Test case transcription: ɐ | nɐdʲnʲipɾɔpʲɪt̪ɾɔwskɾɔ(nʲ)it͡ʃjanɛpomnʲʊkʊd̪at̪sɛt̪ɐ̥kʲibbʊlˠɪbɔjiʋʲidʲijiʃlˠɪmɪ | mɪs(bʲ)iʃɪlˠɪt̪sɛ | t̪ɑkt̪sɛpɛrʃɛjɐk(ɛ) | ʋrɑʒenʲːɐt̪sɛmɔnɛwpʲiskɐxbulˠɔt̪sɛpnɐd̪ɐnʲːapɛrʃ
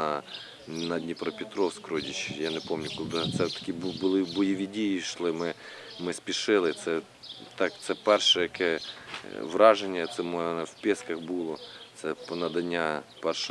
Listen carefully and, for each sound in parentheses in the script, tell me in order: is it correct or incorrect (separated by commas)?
incorrect, incorrect, correct